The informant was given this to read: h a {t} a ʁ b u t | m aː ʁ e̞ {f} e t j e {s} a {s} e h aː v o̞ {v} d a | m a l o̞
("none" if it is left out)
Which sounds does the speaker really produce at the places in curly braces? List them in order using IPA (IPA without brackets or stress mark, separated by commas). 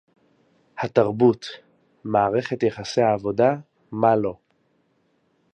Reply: t, χ, χ, s, none